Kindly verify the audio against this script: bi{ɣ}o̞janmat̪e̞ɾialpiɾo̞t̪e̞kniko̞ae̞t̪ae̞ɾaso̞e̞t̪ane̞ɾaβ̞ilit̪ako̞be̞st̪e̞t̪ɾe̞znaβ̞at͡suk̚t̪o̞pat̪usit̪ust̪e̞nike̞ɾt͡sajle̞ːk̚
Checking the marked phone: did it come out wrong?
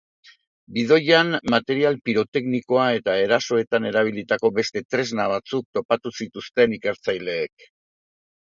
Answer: yes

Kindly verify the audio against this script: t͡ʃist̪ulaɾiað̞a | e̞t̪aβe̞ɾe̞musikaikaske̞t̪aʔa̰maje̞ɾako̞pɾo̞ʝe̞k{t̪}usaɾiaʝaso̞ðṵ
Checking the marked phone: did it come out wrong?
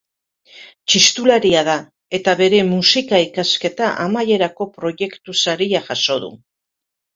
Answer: no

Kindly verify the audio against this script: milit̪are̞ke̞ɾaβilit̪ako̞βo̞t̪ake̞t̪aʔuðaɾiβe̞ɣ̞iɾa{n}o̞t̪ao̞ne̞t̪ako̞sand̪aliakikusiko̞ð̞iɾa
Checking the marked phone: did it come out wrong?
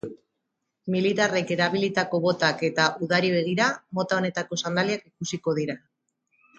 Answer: yes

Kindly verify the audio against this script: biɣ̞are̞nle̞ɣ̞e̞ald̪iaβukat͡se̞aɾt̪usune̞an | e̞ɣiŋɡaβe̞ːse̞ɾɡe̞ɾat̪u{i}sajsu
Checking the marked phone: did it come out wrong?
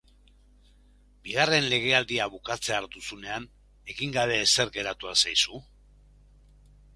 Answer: yes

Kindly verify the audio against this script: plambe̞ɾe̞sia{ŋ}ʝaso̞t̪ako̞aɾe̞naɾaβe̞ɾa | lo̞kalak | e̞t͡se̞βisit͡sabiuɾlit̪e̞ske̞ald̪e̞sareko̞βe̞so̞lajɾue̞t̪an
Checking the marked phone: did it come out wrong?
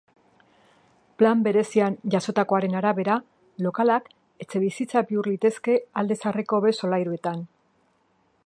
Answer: yes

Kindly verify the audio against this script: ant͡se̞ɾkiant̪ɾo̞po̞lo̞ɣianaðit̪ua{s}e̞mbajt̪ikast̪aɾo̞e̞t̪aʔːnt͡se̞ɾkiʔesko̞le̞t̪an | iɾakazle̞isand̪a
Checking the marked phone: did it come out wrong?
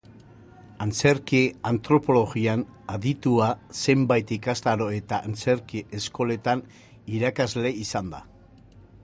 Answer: no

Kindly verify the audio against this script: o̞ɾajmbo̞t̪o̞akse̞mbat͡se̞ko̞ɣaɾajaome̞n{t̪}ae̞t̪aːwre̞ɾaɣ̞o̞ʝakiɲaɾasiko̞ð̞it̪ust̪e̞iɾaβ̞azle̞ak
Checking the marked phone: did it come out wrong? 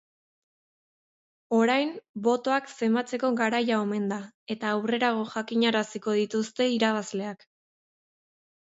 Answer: yes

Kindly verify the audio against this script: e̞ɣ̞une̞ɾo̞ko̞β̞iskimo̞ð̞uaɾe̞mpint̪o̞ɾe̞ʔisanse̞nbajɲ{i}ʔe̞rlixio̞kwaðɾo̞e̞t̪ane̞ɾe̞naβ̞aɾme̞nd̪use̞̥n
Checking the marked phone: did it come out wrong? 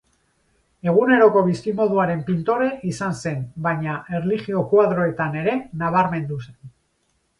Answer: yes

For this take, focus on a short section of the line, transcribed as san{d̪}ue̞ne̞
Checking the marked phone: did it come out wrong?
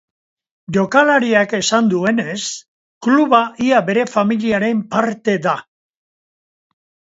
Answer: no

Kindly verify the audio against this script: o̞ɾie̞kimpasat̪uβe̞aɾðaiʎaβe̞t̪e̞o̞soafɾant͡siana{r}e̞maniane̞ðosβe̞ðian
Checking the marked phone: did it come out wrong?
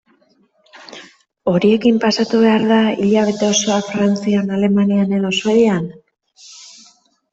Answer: yes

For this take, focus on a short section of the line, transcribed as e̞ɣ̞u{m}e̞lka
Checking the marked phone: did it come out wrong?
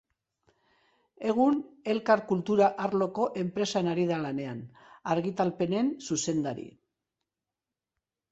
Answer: yes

